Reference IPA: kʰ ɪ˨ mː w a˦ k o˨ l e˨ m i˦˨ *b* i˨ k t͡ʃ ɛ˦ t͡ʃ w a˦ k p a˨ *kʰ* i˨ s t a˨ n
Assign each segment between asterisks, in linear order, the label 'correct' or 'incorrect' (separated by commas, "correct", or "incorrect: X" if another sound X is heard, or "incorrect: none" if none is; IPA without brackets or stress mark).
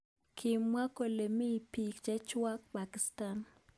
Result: incorrect: p, incorrect: k